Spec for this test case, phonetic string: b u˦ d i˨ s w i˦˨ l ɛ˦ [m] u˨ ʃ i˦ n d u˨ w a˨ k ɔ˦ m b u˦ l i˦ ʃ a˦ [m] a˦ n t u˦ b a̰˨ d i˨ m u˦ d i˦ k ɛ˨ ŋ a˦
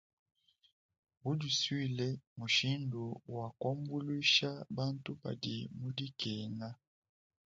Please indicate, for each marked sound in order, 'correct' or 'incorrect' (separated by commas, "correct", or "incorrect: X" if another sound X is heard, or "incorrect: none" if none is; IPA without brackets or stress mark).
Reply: correct, incorrect: b